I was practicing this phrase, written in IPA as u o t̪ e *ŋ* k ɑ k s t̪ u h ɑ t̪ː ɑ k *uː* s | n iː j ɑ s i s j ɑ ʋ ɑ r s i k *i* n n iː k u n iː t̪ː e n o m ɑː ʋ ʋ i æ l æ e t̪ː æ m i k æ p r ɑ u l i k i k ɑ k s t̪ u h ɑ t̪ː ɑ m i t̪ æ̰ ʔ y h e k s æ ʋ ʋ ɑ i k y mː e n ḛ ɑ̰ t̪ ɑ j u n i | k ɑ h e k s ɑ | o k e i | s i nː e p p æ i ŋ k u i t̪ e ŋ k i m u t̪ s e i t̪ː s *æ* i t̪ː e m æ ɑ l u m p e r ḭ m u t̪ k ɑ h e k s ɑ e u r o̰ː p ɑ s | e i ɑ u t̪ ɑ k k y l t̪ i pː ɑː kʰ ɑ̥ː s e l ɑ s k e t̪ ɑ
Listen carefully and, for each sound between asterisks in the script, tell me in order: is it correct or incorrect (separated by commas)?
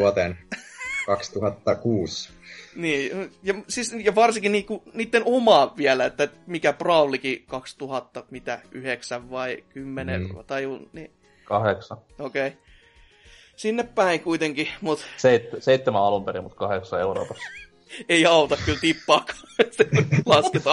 incorrect, correct, correct, incorrect